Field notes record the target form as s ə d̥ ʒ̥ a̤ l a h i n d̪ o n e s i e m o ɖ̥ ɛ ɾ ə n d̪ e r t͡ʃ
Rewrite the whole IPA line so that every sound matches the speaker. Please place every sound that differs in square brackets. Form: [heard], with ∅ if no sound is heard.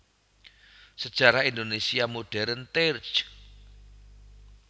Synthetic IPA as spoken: s ə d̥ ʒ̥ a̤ [ɾ] a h i n d̪ o n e s i [a] m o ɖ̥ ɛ ɾ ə n [t̪] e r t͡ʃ